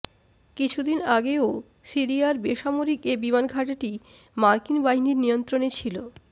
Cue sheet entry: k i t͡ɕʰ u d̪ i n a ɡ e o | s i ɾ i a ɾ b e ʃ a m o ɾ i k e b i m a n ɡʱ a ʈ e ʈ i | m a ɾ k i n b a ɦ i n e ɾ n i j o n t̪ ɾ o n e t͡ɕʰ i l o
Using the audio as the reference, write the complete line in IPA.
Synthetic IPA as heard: k i t͡ɕʰ u d̪ i n a ɡ e o | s i ɾ i a ɾ b e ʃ a m o ɾ i k e b i m a n ɡʱ a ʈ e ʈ i | m a ɾ k i n b a ɦ i n i ɾ n i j o n t̪ ɾ o n e t͡ɕʰ i l o